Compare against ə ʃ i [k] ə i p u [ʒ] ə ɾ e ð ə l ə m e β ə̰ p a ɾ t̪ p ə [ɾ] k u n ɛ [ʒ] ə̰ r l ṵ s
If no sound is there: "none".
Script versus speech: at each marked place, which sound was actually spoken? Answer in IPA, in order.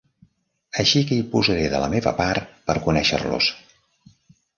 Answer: k, z, ɾ, ʃ

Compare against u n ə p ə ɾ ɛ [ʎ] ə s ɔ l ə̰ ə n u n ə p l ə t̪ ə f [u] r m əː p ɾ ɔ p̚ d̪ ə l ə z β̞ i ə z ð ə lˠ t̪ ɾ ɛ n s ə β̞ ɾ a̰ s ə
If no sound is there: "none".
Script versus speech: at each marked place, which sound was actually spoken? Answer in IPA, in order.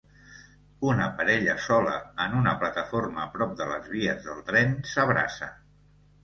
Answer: ʎ, o

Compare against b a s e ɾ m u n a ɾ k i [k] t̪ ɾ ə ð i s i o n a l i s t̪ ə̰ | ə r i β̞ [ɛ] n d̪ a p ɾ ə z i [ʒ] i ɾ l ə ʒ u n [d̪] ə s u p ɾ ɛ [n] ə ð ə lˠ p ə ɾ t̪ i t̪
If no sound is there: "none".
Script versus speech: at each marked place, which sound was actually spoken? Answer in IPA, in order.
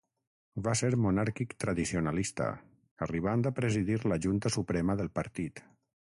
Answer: k, a, ð, t̪, m

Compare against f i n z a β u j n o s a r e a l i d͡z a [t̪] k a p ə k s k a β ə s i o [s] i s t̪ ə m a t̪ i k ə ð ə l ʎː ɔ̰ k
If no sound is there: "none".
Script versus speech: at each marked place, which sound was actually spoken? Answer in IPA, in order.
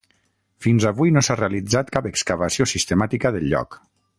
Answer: t̪, s

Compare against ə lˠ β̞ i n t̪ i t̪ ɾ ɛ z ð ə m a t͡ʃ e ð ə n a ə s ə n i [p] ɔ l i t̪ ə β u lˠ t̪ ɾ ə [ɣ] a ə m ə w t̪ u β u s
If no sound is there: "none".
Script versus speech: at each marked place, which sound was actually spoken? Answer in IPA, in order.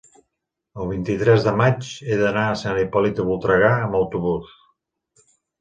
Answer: p, ɣ

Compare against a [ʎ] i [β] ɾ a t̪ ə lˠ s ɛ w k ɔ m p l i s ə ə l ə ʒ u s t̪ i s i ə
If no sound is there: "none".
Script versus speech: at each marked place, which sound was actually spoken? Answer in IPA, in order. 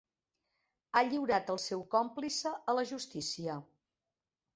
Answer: ʎ, w

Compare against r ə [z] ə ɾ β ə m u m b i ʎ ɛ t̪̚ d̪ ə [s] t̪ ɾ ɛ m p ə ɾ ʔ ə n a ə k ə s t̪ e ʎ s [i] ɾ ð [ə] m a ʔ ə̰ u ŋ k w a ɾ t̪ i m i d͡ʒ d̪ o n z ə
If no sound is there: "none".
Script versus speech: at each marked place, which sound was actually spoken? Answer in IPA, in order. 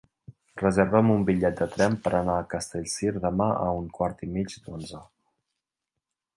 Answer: z, none, i, ə

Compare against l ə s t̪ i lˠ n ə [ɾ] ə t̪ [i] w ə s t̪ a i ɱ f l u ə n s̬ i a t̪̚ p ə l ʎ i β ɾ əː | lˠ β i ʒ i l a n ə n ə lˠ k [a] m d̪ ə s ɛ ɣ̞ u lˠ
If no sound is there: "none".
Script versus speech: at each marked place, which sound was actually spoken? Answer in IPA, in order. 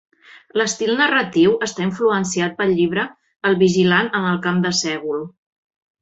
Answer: r, i, a

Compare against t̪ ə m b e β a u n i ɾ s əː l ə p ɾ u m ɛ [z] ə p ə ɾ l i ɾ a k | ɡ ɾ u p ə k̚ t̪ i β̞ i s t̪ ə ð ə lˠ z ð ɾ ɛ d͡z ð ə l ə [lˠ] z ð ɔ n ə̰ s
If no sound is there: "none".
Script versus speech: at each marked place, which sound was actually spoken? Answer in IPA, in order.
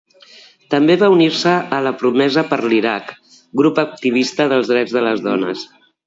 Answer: z, none

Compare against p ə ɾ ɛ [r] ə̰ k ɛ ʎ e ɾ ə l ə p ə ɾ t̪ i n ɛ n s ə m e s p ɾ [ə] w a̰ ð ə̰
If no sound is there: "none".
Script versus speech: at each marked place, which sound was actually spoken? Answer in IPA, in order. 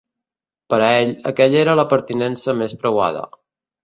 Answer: ʎ, ə

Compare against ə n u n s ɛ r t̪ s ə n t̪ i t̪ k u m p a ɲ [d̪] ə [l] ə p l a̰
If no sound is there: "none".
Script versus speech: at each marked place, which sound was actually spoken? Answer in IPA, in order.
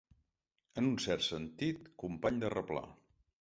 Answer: d̪, r

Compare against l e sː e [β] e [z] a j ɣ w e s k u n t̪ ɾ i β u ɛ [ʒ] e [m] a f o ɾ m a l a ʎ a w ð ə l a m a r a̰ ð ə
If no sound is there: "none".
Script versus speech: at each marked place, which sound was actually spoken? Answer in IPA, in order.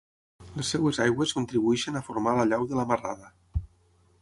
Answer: w, z, ʃ, n

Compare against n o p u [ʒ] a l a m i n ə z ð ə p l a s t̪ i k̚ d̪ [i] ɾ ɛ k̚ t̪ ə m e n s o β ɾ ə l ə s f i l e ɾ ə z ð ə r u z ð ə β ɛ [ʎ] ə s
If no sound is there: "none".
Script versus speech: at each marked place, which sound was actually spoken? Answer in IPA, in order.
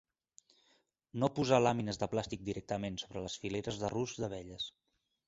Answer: z, i, ʎ

